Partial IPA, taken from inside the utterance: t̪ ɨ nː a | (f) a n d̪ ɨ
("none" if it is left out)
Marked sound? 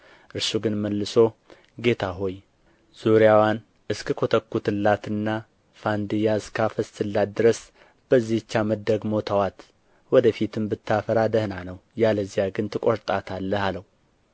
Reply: f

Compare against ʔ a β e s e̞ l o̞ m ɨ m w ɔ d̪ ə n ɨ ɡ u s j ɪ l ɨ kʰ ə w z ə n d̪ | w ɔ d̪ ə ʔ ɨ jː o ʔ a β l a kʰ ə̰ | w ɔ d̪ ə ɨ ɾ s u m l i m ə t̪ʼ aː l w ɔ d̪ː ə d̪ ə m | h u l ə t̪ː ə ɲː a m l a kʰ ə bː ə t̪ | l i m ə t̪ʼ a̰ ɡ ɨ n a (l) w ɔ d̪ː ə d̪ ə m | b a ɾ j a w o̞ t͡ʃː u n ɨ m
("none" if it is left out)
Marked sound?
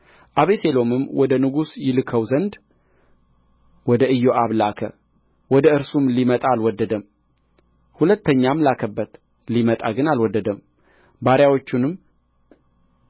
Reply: l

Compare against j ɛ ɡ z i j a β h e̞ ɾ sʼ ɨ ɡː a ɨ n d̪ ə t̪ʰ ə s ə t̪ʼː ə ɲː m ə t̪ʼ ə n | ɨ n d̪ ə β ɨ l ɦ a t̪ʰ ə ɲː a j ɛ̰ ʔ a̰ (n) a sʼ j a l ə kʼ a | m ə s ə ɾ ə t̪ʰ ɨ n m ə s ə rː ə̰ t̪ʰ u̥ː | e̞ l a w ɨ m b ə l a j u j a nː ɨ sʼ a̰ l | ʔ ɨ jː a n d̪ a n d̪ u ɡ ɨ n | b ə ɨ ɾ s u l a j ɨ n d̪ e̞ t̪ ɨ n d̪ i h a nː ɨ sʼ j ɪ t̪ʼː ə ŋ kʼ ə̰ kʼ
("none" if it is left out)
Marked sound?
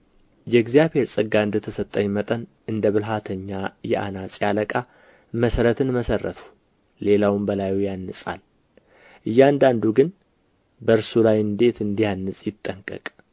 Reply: n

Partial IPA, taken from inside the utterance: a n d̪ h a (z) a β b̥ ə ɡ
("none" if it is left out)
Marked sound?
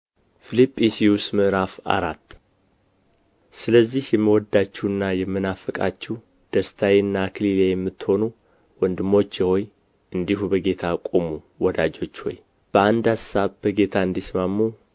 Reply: s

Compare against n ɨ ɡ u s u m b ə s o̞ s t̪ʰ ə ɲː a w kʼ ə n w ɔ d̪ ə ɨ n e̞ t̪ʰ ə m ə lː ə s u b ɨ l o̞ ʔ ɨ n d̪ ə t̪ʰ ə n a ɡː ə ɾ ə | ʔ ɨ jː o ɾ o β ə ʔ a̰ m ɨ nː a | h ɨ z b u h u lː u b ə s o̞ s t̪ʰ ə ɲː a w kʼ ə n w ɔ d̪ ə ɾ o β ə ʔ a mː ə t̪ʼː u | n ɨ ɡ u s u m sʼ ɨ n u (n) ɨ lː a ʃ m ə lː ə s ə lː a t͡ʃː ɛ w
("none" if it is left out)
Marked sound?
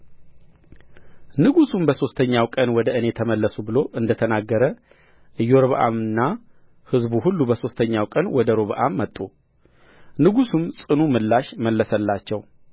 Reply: m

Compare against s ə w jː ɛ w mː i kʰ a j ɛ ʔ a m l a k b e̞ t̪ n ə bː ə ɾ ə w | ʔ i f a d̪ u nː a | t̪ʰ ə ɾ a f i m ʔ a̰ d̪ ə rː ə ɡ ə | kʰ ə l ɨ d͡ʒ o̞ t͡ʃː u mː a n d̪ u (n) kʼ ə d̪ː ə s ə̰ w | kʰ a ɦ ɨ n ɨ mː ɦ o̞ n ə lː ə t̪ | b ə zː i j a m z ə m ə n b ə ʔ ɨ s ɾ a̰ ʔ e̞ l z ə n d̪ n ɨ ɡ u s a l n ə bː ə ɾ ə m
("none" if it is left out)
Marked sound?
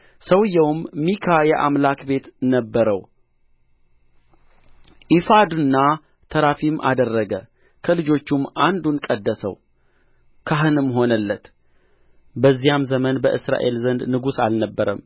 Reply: n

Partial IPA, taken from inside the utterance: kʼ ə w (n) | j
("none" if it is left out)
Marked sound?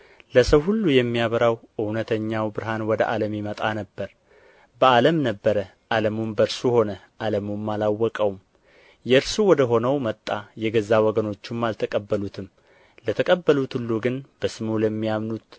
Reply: m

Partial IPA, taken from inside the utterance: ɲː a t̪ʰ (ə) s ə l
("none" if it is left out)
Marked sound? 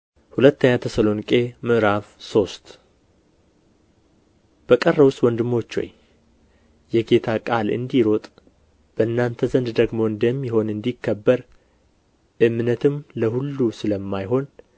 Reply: ə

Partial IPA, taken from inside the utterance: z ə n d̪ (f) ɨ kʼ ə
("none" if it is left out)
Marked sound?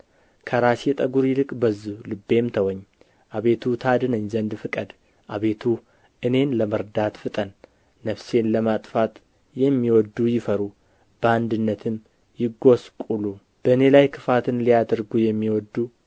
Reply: f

